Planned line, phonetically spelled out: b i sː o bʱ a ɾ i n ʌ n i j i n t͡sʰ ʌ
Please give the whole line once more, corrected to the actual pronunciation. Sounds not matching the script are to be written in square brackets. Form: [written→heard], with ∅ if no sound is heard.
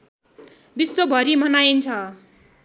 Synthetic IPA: b i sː o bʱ [a→ʌ] ɾ i [n→m] ʌ n [i→a] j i n t͡sʰ ʌ